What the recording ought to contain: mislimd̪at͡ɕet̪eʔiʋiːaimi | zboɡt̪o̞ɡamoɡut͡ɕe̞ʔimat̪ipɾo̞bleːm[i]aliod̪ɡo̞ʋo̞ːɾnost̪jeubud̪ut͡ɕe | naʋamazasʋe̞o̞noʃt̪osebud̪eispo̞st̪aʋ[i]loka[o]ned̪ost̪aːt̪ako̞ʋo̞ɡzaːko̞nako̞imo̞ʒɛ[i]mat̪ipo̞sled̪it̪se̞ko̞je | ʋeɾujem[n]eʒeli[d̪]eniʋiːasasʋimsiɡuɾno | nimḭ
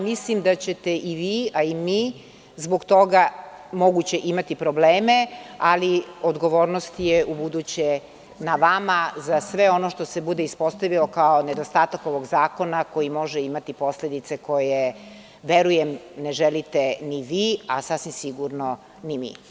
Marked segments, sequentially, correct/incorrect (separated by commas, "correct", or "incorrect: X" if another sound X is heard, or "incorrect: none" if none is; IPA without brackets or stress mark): incorrect: e, correct, correct, correct, correct, incorrect: t̪